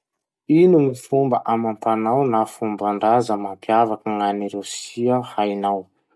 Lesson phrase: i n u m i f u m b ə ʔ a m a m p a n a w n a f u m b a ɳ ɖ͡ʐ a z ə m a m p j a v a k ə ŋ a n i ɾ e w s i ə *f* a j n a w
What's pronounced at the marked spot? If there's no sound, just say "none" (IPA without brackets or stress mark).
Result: h